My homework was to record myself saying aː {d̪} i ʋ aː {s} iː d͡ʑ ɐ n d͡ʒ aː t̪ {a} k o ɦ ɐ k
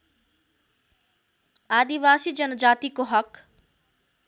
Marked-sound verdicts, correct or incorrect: correct, correct, incorrect

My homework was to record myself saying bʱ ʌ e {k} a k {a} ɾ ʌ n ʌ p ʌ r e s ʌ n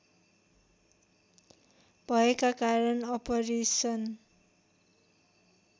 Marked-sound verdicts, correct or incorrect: correct, correct

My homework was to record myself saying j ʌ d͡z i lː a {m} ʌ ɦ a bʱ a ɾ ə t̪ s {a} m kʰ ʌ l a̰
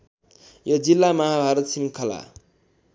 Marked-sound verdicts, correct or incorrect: correct, incorrect

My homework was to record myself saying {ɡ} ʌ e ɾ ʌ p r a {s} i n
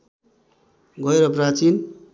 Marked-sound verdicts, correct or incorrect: correct, incorrect

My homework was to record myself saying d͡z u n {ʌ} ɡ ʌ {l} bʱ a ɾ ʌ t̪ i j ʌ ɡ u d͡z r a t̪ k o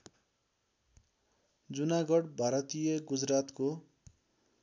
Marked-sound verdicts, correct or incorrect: incorrect, incorrect

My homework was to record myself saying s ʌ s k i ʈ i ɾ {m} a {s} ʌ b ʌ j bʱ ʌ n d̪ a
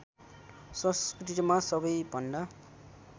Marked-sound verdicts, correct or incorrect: correct, correct

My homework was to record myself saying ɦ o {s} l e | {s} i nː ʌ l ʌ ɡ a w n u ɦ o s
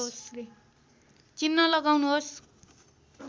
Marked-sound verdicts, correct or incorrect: correct, incorrect

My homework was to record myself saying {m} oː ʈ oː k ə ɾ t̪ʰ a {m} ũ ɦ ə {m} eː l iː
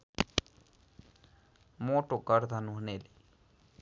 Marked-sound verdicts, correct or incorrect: correct, incorrect, incorrect

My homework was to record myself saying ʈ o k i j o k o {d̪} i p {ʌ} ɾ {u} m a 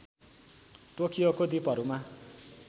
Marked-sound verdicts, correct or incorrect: correct, correct, correct

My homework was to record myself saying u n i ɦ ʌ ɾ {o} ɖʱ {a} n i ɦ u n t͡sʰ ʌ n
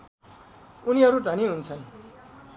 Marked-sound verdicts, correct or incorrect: incorrect, incorrect

